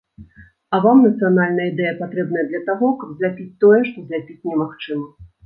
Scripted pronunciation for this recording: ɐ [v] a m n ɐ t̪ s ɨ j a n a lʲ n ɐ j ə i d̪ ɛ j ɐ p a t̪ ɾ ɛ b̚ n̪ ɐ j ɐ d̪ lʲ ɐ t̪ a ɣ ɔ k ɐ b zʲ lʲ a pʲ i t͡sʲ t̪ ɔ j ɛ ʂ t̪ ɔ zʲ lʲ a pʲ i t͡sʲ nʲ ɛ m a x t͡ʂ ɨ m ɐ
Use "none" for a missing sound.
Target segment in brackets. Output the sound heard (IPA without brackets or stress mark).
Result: v